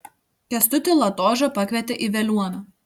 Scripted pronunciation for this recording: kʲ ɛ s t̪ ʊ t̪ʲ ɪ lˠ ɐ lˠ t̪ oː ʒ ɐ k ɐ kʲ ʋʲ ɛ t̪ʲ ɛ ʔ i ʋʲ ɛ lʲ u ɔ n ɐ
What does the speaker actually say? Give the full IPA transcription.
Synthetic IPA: kʲ ɛ s t̪ ʊ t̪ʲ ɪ lˠ ɐ t̪ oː ʒ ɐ p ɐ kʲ ʋʲ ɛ t̪ʲ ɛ ʔ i ʋʲ ɛ lʲ u ɔ n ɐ